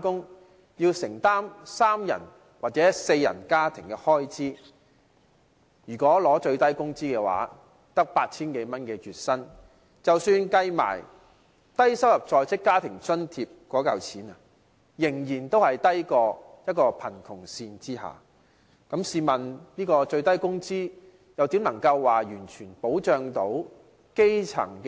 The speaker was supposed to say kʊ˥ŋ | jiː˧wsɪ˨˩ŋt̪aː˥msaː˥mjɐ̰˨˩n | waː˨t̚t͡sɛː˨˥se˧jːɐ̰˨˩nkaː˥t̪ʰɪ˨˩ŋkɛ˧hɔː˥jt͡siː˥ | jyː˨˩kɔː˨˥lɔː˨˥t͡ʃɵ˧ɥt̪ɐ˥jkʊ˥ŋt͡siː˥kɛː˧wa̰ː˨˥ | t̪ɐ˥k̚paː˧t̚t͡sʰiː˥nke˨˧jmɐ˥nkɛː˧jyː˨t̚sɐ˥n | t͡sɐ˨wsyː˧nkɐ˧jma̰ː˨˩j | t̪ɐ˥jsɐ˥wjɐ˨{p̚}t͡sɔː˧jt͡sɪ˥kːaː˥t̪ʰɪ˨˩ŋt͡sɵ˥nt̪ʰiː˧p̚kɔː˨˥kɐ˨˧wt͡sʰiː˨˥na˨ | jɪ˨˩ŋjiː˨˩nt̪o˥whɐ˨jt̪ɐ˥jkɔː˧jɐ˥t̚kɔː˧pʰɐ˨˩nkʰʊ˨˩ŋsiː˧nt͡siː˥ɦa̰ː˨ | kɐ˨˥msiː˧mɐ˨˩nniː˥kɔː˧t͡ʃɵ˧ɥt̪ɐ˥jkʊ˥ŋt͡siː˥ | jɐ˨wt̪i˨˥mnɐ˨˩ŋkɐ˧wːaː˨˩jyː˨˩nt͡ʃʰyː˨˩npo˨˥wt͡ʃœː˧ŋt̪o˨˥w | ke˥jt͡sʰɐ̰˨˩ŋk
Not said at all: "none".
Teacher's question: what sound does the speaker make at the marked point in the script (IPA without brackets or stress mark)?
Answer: p̚